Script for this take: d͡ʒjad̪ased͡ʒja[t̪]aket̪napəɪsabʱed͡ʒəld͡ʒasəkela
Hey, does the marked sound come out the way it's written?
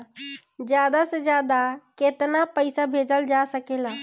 no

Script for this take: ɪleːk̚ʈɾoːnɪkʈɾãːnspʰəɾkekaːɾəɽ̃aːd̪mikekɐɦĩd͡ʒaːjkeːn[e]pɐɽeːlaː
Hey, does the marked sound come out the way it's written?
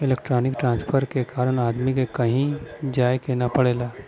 no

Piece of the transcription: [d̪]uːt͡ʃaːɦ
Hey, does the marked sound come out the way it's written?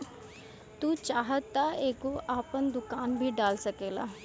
no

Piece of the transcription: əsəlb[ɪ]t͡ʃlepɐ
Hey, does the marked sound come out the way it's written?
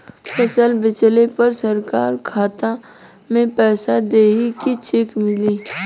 yes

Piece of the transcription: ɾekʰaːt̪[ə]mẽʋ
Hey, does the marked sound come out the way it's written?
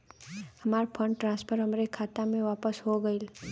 no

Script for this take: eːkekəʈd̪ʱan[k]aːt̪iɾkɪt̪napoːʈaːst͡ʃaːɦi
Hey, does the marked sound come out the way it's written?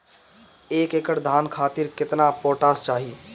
no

